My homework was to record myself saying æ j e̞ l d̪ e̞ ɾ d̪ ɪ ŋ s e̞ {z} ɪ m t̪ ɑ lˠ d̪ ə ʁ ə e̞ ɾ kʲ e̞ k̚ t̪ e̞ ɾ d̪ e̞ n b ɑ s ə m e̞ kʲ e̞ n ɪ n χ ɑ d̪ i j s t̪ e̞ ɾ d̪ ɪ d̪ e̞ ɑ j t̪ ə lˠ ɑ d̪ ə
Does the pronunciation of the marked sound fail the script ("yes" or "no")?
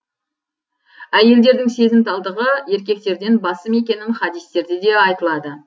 no